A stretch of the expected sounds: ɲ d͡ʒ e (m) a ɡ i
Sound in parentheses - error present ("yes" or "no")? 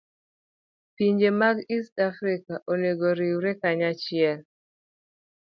no